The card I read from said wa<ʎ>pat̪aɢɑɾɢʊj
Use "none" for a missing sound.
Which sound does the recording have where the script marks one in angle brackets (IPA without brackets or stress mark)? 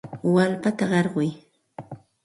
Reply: l